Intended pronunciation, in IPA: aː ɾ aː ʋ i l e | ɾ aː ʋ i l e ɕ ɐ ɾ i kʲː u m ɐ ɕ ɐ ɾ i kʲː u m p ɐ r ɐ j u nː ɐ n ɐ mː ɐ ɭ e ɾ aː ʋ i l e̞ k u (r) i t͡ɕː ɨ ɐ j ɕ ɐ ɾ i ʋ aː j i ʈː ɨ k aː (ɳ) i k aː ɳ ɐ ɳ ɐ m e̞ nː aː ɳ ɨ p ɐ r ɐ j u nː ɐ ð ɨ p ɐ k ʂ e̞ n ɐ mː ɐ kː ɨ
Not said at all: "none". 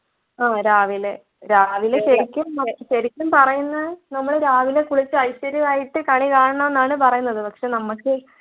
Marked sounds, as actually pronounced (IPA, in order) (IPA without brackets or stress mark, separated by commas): ɭ, ɳ